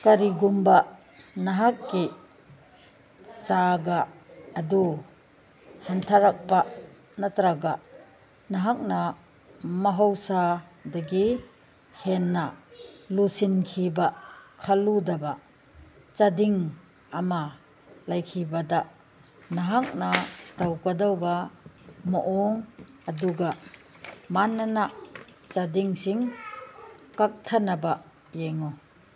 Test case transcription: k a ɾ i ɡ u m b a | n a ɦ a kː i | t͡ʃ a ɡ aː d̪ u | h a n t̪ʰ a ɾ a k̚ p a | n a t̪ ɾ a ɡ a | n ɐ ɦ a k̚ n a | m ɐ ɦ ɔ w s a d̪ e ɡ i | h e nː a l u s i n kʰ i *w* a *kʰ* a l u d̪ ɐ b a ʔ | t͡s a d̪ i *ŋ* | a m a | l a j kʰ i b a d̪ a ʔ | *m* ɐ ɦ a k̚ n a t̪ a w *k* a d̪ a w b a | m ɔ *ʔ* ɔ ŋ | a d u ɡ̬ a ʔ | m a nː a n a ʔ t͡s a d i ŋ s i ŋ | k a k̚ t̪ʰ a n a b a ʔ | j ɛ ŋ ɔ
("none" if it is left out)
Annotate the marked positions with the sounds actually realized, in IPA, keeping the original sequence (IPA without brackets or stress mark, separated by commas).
b, kʰ, ŋ, n, k, ʔ